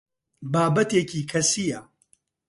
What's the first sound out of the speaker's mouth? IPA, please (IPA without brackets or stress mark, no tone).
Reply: b